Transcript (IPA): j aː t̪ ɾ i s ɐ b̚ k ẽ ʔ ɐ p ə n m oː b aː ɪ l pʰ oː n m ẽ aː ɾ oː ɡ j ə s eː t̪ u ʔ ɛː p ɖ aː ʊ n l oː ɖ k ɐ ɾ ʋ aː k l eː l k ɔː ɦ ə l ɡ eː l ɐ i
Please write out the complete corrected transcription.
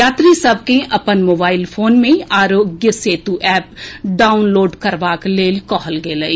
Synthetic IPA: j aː t̪ ɾ i s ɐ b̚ k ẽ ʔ ɐ p ə n m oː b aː ɪ l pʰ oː n m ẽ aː ɾ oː ɡ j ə s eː t̪ u ʔ ɛː p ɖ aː ʊ n l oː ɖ k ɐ ɾ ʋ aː k l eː l k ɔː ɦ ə l ɡ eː l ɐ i